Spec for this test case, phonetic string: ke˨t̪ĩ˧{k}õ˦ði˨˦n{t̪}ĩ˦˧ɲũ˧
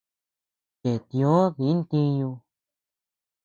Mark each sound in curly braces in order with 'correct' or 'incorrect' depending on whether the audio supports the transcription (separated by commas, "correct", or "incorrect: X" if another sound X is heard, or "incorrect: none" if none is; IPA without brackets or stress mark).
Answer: incorrect: none, correct